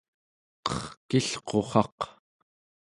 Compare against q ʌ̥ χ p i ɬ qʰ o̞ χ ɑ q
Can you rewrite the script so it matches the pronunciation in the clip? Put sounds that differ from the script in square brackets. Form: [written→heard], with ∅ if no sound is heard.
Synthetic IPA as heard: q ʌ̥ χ [p→k] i ɬ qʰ o̞ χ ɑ q